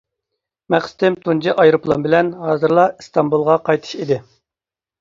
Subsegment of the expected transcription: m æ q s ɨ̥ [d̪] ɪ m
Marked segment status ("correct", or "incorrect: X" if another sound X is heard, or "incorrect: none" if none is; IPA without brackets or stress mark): incorrect: t̪